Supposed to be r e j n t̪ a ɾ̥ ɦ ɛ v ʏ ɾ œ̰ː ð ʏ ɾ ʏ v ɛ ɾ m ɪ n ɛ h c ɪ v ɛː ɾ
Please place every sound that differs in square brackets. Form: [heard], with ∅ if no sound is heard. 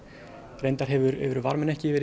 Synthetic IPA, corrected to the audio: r e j n t̪ a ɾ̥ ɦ ɛ v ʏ ɾ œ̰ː [v] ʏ ɾ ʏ v [a] ɾ m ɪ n ɛ h c ɪ v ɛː ɾ